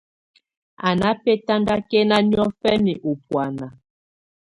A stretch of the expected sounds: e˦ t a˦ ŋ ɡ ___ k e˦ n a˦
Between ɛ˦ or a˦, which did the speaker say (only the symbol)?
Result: a˦